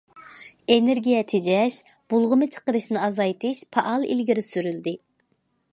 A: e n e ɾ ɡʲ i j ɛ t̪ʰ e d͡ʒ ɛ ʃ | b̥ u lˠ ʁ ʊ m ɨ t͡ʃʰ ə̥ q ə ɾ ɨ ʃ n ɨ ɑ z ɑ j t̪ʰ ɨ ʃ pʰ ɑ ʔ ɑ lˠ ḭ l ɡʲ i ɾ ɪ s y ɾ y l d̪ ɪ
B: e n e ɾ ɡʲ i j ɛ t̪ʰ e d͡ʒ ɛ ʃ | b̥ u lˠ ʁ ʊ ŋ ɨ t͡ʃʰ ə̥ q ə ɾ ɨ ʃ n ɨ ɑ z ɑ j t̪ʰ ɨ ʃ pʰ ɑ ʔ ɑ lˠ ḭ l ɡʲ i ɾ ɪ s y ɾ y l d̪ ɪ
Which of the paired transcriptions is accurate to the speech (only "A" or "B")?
A